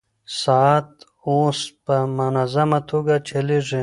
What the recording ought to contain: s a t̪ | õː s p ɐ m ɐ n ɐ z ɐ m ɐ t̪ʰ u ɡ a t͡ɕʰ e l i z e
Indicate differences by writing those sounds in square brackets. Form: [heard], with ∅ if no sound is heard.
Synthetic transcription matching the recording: s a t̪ | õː s p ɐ m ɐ n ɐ z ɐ m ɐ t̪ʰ u ɡ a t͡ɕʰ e l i [ʐ] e